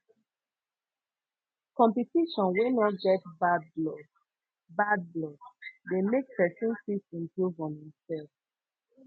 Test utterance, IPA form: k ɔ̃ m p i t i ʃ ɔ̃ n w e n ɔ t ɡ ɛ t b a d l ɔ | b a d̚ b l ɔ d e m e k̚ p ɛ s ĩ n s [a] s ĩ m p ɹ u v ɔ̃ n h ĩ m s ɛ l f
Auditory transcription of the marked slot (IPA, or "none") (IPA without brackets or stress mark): i